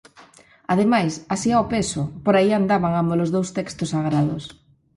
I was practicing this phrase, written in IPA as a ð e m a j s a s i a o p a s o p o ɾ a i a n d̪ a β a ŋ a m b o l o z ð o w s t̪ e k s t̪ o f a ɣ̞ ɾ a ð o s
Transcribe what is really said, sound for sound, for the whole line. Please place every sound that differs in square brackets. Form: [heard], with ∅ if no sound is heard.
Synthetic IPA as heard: a ð e m a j s a s i a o p [e] s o p o ɾ a i a n d̪ a β a ŋ a m b o l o z ð o w s t̪ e k s t̪ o [s] a ɣ̞ ɾ a ð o s